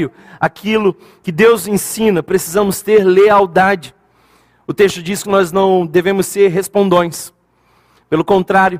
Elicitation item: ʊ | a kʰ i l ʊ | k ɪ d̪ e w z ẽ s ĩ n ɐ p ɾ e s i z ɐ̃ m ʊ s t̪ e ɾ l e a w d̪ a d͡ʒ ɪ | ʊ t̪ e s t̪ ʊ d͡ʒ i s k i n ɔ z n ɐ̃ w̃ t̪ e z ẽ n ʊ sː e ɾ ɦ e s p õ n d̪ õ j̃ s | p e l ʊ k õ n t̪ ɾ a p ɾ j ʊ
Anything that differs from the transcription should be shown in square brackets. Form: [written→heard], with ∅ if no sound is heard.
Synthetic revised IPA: ʊ | a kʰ i l ʊ | k ɪ d̪ e w z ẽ s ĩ n ɐ p ɾ e s i z ɐ̃ m ʊ s t̪ e ɾ l e a w d̪ a d͡ʒ ɪ | ʊ t̪ e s t̪ ʊ d͡ʒ i s k [i→ɪ] n ɔ z n ɐ̃ w̃ [t̪→d̪] e [z→v] ẽ [n→m] ʊ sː e ɾ ɦ e s p õ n d̪ õ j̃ s | p e l ʊ k õ n t̪ ɾ a [p→∅] ɾ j ʊ